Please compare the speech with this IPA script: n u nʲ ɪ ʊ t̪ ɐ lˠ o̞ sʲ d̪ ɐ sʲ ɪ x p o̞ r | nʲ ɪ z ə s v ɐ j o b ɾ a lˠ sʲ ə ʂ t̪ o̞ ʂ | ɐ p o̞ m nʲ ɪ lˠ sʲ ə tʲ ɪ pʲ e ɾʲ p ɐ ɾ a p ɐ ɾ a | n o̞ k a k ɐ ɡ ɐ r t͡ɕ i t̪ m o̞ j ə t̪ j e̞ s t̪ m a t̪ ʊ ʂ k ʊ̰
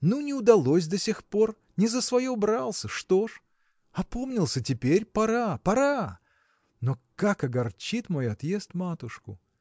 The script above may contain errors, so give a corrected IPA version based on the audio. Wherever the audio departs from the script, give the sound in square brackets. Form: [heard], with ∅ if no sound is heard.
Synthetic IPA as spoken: n u nʲ ɪ ʊ [d̪] ɐ lˠ o̞ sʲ d̪ ɐ sʲ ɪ x p o̞ r | nʲ ɪ z ə s v ɐ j o b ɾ a lˠ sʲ ə ʂ t̪ o̞ ʂ | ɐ p o̞ m nʲ ɪ lˠ sʲ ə tʲ ɪ pʲ e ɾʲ p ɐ ɾ a p ɐ ɾ a | n o̞ k a k ɐ ɡ ɐ r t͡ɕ i t̪ m o̞ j [ɐ] t̪ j e̞ s t̪ m a t̪ ʊ ʂ k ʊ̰